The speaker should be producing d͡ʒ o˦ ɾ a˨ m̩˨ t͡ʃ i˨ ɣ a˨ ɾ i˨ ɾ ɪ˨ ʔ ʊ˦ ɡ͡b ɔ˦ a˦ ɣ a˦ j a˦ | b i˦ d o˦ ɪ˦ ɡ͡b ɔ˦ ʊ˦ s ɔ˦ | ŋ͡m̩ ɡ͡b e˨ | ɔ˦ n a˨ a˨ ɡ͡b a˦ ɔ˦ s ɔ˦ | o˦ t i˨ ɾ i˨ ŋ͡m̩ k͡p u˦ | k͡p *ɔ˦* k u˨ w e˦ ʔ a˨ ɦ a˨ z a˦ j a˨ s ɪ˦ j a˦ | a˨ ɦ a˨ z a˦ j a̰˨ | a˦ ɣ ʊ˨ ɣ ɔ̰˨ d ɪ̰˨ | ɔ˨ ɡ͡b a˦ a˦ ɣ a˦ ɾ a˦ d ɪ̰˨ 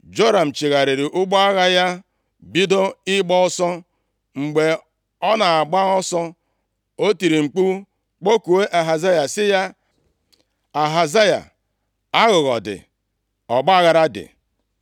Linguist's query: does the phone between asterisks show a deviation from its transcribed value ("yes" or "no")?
yes